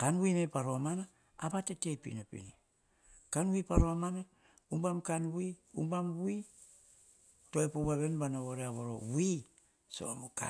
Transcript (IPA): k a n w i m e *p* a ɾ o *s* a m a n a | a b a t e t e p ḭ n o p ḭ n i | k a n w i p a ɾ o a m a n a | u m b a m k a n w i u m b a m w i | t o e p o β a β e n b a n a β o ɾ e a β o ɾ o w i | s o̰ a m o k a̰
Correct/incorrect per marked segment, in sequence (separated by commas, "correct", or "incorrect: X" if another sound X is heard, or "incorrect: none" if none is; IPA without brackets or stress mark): correct, incorrect: none